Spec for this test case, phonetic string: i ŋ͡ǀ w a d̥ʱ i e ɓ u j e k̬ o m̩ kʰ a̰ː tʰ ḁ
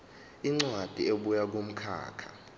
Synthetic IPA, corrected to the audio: i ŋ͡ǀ w a d̥ʱ i e ɓ u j a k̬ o m̩ kʰ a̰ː kʰ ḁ